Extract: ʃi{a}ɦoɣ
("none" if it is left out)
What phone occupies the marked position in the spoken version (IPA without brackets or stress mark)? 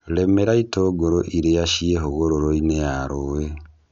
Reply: e